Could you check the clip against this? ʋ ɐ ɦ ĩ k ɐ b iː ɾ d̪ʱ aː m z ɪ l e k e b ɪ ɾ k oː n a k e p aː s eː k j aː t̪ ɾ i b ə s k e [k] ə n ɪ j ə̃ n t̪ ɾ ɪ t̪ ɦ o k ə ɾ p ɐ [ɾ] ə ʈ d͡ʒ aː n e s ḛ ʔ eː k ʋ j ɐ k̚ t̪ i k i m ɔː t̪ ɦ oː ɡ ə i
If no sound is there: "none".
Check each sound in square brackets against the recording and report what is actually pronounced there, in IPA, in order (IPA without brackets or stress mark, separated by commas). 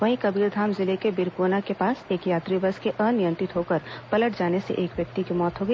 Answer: ʔ, l